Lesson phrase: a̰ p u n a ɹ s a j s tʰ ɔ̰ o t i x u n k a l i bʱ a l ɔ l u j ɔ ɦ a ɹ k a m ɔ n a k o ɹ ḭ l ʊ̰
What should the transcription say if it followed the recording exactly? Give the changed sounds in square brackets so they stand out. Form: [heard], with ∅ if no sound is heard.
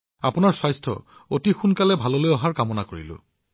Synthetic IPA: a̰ p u n a ɹ s a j s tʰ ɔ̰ o t i x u n k a l [ɛ] bʱ a l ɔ l [o] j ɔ ɦ a ɹ k a m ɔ n a k o ɹ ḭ l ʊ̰